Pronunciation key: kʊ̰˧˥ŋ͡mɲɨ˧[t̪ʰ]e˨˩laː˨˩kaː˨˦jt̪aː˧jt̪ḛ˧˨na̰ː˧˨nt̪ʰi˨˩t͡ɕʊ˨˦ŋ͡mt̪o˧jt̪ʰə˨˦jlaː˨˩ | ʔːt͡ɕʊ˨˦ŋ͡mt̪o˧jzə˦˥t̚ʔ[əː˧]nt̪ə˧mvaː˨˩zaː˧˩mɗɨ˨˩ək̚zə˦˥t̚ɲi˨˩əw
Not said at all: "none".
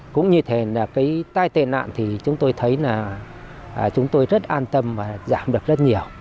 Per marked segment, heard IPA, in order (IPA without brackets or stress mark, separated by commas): t̪ʰ, aː˧